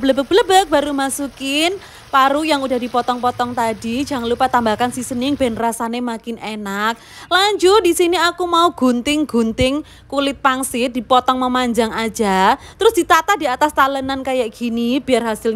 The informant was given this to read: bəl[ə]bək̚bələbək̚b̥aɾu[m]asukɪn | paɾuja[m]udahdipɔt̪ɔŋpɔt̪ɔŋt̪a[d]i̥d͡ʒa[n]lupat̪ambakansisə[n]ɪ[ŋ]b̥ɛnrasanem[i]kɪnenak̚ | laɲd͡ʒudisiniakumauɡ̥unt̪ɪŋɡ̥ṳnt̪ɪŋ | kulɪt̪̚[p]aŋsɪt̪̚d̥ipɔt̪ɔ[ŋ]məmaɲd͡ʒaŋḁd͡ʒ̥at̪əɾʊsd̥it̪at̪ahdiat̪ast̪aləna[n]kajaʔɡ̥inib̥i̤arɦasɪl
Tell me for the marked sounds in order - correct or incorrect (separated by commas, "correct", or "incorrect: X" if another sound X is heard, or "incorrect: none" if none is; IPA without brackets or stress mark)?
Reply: correct, correct, incorrect: ŋ, correct, incorrect: ŋ, correct, correct, incorrect: a, correct, correct, correct